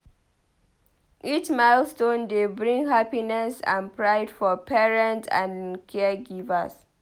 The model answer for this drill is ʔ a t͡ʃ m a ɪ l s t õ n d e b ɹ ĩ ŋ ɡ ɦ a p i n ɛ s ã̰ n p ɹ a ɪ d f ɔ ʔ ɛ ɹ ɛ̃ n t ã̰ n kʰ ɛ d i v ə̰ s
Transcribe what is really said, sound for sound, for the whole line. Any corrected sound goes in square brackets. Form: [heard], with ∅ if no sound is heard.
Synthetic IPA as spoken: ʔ [i] t͡ʃ m a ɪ l s t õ n d e b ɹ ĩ ŋ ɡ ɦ a p i n ɛ s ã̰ n p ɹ a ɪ d f ɔ [p] ɛ ɹ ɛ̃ n t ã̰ n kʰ ɛ [ɡ] i v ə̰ s